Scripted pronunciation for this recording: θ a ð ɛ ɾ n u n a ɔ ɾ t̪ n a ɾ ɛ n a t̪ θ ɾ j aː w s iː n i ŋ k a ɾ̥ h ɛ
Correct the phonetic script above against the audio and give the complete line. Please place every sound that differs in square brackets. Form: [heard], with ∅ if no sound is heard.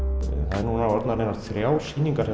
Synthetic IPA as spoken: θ a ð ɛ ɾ n u n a ɔ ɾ t̪ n a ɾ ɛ n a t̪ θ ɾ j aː w s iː n i ŋ k a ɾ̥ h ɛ